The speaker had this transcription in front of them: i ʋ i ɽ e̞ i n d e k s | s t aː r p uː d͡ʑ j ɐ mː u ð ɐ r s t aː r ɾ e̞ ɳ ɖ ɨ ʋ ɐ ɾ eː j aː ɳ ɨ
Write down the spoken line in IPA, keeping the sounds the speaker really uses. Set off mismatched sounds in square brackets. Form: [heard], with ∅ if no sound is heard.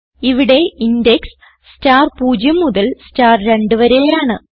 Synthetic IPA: i ʋ i ɽ e̞ i n d e k s | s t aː r p uː d͡ʑ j ɐ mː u ð ɐ [l] s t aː r ɾ e̞ ɳ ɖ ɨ ʋ ɐ ɾ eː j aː ɳ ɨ